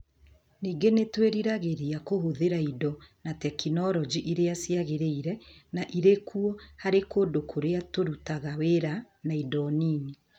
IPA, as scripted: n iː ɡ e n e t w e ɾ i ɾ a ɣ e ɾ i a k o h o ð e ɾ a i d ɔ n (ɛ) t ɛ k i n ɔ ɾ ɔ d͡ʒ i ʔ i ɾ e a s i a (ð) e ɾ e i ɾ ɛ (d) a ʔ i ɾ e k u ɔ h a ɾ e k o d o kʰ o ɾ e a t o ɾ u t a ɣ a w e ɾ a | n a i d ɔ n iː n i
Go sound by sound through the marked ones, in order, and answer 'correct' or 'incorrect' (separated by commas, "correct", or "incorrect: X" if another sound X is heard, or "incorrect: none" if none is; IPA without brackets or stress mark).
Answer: incorrect: a, incorrect: ɣ, incorrect: n